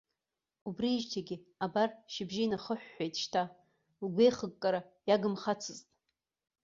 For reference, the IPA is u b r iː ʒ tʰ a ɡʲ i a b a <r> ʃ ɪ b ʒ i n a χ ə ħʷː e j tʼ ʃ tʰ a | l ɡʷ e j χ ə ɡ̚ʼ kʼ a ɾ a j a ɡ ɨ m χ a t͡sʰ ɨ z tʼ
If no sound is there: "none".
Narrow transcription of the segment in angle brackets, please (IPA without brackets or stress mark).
r